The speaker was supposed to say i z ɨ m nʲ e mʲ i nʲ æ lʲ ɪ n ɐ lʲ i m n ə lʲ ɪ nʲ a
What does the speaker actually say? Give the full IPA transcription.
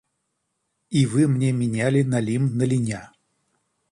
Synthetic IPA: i v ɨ m nʲ e mʲ ɪ nʲ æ lʲ ɪ n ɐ lʲ i m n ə lʲ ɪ nʲ a